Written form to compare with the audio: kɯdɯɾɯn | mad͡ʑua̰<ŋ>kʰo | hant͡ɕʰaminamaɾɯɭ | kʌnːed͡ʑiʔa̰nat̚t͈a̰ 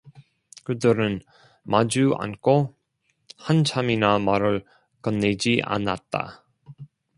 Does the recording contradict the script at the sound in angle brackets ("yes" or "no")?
yes